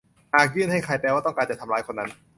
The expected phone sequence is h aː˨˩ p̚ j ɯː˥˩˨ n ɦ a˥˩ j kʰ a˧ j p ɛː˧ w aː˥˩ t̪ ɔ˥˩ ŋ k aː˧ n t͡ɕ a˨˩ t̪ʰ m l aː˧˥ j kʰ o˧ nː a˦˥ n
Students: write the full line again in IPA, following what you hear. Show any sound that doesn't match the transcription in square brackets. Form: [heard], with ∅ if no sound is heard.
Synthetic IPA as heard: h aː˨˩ [k̚] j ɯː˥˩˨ n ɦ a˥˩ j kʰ a˧ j p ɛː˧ w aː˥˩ t̪ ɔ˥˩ ŋ k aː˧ n t͡ɕ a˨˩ t̪ʰ m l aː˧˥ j kʰ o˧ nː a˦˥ n